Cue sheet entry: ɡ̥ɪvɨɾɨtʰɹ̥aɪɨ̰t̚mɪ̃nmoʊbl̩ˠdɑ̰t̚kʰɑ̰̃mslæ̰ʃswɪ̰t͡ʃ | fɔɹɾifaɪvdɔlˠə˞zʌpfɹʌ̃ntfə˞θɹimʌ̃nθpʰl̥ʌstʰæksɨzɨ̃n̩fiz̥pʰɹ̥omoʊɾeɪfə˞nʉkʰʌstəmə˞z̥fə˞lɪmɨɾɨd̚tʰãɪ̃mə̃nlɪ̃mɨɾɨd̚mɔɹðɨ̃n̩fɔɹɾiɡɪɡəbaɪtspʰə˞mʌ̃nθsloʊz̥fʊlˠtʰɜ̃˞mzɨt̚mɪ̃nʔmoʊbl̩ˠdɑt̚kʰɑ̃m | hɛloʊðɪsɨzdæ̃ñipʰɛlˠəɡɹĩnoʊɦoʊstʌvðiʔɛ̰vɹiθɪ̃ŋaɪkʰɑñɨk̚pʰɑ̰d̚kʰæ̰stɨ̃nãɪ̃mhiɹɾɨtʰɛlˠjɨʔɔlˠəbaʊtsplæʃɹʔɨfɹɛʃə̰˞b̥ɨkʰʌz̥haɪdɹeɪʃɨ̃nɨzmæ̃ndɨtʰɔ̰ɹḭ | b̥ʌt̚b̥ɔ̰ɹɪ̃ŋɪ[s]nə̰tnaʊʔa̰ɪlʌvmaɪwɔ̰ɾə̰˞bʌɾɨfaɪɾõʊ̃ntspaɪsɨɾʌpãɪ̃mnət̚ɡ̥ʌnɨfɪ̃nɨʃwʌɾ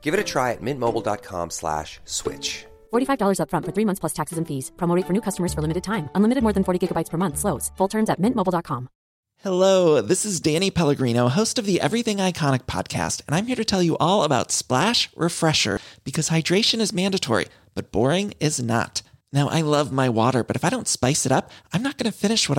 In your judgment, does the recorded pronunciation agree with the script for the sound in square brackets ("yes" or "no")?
no